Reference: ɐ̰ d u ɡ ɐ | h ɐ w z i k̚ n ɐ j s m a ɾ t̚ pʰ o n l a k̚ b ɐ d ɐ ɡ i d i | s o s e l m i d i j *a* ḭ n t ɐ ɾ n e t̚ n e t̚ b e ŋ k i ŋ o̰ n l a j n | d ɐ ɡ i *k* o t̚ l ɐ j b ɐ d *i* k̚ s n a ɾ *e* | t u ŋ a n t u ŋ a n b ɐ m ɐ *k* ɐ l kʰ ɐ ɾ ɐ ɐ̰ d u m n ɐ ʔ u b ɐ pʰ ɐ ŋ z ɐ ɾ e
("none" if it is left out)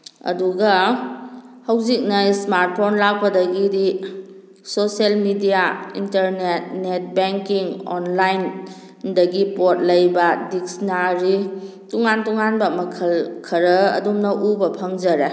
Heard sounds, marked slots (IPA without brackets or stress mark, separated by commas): a, p, i, i, kʰ